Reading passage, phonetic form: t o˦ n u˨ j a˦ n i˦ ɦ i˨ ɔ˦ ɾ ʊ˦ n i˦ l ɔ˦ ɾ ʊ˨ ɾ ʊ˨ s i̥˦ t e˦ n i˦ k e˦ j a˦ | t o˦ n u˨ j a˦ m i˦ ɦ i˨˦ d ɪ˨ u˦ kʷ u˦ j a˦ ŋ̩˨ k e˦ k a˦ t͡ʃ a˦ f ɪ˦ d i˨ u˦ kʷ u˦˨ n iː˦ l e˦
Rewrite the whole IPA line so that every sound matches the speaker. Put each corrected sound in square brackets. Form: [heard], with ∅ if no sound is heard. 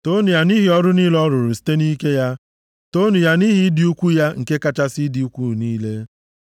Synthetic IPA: t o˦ n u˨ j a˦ n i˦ ɦ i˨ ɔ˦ ɾ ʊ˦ n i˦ l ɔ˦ ɾ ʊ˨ ɾ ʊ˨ s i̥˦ t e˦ n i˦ k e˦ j a˦ | t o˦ n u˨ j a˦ [n] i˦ ɦ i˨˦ d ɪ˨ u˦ kʷ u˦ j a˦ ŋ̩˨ k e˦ k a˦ t͡ʃ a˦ [s] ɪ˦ d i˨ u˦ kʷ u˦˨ n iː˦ l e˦